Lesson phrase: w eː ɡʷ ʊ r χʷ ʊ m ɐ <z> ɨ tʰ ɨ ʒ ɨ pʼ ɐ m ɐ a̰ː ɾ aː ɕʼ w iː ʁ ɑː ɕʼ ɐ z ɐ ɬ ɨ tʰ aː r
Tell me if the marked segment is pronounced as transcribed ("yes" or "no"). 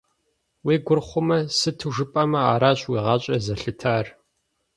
no